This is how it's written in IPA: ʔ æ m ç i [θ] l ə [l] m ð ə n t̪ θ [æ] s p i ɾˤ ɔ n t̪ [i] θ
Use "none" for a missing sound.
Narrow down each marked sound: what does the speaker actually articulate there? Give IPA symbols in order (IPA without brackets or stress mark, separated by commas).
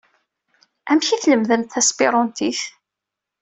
θ, none, æ, i